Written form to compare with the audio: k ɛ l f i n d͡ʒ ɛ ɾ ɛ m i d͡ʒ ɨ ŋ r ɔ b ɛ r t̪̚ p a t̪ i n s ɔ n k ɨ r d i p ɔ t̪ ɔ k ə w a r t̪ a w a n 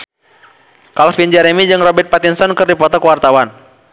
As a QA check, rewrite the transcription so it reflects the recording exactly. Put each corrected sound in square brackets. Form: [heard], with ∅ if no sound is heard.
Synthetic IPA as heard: k [a] l f i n d͡ʒ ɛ ɾ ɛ m i d͡ʒ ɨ ŋ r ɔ b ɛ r t̪̚ p a t̪ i n s ɔ n k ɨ r d i p ɔ t̪ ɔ k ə w a r t̪ a w a n